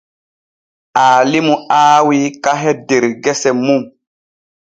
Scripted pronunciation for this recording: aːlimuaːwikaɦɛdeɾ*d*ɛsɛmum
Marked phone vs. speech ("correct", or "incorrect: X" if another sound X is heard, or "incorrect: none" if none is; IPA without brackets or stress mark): incorrect: ɡ